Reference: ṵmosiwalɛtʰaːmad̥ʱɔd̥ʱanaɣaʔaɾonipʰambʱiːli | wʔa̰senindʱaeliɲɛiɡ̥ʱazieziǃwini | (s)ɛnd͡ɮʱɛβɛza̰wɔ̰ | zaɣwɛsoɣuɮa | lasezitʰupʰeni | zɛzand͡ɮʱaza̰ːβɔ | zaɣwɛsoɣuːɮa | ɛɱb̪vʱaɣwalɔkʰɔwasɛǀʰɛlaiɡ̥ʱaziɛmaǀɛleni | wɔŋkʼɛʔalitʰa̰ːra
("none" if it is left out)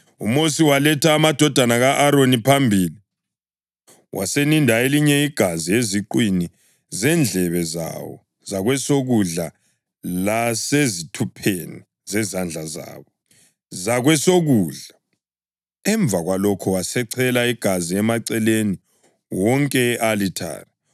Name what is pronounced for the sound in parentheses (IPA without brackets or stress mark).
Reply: z